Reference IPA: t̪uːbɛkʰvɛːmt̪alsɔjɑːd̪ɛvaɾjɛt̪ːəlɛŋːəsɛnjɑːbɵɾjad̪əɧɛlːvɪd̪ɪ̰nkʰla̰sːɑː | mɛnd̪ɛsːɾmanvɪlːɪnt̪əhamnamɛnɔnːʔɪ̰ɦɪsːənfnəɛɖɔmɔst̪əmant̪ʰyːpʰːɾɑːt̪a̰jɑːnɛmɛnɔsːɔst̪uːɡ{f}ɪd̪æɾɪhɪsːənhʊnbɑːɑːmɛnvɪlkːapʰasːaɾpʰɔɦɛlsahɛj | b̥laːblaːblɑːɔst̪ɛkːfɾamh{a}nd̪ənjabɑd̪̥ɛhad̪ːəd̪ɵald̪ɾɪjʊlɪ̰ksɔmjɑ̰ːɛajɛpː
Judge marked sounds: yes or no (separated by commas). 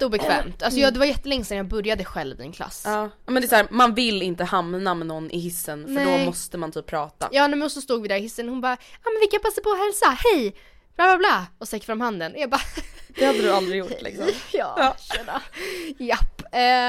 no, yes